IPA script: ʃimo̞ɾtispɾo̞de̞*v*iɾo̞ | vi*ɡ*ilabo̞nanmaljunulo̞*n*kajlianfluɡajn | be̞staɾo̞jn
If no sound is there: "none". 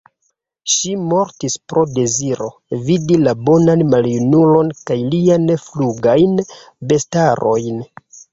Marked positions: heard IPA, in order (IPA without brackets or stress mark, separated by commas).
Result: z, d, n